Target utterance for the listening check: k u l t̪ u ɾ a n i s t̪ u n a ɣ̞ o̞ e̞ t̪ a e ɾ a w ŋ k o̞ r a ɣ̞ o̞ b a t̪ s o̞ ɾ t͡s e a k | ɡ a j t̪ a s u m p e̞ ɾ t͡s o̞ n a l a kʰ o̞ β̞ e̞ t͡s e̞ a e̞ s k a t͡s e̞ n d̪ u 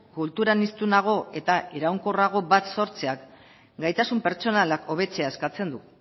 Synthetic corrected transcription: k u l t̪ u ɾ a n i s t̪ u n a ɣ̞ o̞ e̞ t̪ a e ɾ a w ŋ k o̞ r a ɣ̞ o̞ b a t̪ s o̞ ɾ t͡s e a k | ɡ a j t̪ a s u m p e̞ ɾ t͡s o̞ n a l a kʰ o̞ β̞ e̞ t͡s e̞ a e̞ s k a t͡s e̞ n d̪ u

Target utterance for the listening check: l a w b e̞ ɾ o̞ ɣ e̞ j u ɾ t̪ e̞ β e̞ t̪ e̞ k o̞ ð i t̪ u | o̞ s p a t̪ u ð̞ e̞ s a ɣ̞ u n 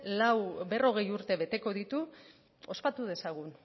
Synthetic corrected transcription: l a w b e̞ r o̞ ɣ e̞ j u ɾ t̪ e̞ β e̞ t̪ e̞ k o̞ ð i t̪ u | o̞ s p a t̪ u ð̞ e̞ s a ɣ̞ u n

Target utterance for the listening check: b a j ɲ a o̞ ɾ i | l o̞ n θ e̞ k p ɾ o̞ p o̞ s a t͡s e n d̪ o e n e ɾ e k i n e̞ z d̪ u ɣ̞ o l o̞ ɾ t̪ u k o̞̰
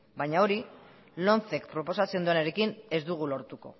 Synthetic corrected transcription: b a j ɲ a o̞ ɾ i | l o̞ n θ e̞ k p ɾ o̞ p o̞ s a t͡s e n d̪ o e n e ɾ e k i n e̞ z d̪ u ɣ̞ u l o̞ ɾ t̪ u k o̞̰

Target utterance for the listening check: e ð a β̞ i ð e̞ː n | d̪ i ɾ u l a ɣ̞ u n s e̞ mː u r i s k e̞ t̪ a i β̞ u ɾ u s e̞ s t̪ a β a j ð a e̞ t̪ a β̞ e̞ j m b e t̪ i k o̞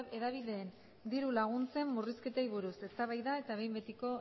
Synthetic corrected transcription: e ð a β̞ i ð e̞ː n | d̪ i ɾ u l a ɣ̞ u n t͡s e̞ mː u r i s k e̞ t̪ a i β̞ u ɾ u s e̞ s t̪ a β a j ð a e̞ t̪ a β̞ e̞ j m b e t̪ i k o̞

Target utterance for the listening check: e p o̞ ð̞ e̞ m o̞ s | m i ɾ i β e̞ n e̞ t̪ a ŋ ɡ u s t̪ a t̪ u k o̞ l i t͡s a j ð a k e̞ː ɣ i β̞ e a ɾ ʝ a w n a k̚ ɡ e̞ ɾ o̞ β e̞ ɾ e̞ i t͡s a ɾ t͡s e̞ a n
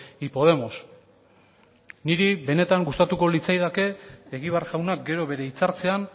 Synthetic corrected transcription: i p o̞ ð̞ e̞ m o̞ s | n i ɾ i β e̞ n e̞ t̪ a ŋ ɡ u s t̪ a t̪ u k o̞ l i t͡s a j ð a k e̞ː ɣ i β̞ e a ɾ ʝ a w n a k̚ ɡ e̞ ɾ o̞ β e̞ ɾ e̞ i t͡s a ɾ t͡s e̞ a n

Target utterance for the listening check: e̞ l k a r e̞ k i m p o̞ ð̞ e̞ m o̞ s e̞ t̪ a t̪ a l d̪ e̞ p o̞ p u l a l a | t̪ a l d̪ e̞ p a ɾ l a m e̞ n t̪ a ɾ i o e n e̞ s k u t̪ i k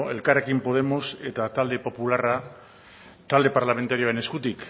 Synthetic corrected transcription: e̞ l k a r e̞ k i m p o̞ ð̞ e̞ m o̞ s e̞ t̪ a t̪ a l d̪ e̞ p o̞ p u l a r a | t̪ a l d̪ e̞ p a ɾ l a m e̞ n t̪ a ɾ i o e n e̞ s k u t̪ i k

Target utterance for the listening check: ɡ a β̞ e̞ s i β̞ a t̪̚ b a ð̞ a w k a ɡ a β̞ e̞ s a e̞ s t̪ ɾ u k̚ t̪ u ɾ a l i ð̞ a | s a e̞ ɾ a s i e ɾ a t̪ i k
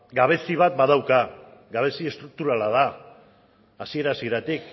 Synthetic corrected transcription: ɡ a β̞ e̞ s i β̞ a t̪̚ b a ð̞ a w k a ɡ a β̞ e̞ s i e̞ s t̪ ɾ u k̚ t̪ u ɾ a l a ð̞ a | s i e̞ ɾ a s i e ɾ a t̪ i k

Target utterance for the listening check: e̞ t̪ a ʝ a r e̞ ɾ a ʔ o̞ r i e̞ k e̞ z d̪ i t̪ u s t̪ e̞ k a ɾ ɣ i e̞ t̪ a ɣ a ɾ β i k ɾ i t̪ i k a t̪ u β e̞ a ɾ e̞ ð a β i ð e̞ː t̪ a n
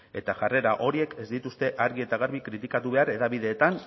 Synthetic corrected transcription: e̞ t̪ a ʝ a r e̞ ɾ a ʔ o̞ ɾ i e̞ k e̞ z d̪ i t̪ u s t̪ e̞ ʔ a ɾ ɣ i e̞ t̪ a ɣ a ɾ β i k ɾ i t̪ i k a t̪ u β e̞ a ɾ e̞ ð a β i ð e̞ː t̪ a n

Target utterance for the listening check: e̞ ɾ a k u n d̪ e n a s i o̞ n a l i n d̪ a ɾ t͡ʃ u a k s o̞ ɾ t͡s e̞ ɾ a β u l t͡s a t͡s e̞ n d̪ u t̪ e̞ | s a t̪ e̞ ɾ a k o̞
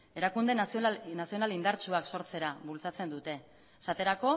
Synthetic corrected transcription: e̞ ɾ a k u n d̪ e n a s i o̞ n a l i n d̪ a ɾ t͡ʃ u a k s o̞ ɾ t͡s e̞ ɾ a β u l t͡s a t͡s e̞ n d̪ u t̪ e̞ | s a t̪ e̞ ɾ a k o̞

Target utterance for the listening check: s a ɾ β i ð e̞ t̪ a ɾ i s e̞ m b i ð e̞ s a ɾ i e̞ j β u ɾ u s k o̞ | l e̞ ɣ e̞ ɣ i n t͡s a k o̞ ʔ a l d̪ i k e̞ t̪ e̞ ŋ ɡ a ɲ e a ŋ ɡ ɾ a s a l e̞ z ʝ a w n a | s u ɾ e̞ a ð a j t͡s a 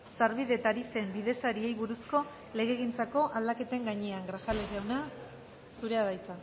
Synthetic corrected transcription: s a ɾ β i ð e̞ t̪ a ɾ i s e̞ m b i ð e̞ s a ɾ i e̞ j β u ɾ u s k o̞ | l e̞ ɣ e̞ ɣ i n t͡s a k o̞ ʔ a l d̪ a k e̞ t̪ e̞ ŋ ɡ a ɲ e a ŋ ɡ ɾ a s a l e̞ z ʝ a w n a | s u ɾ e̞ a ð a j t͡s a

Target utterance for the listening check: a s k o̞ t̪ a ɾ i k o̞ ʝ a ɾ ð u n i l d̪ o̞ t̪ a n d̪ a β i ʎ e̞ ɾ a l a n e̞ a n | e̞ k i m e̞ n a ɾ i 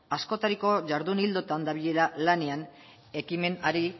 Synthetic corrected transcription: a s k o̞ t̪ a ɾ i k o̞ ʝ a ɾ ð u n i l d̪ o̞ t̪ a n d̪ a β i ʎ e̞ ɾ a l a n e̞ a n | e̞ k i m e̞ n a ɾ i

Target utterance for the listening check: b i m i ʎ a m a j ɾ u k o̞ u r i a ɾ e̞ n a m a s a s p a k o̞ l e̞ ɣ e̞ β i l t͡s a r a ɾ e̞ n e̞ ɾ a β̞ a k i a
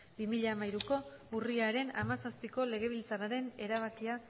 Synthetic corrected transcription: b i m i ʎ a m a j ɾ u k o̞ u r i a ɾ e̞ n a m a s a s p i k o̞ l e̞ ɣ e̞ β i l t͡s a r a ɾ e̞ n e̞ ɾ a β̞ a k i a

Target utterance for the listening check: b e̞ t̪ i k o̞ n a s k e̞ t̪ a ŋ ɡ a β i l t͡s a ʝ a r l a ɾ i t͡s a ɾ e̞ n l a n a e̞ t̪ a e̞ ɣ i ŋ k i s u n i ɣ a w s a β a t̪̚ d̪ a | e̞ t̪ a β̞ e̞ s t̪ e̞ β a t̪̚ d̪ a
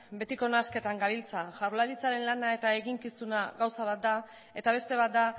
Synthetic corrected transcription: b e̞ t̪ i k o̞ n a s k e̞ t̪ a ŋ ɡ a β i l t͡s a ʝ a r l a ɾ i t͡s a ɾ e̞ n l a n a e̞ t̪ a e̞ ɣ i ŋ k i s u n a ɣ a w s a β a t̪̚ d̪ a | e̞ t̪ a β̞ e̞ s t̪ e̞ β a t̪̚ d̪ a

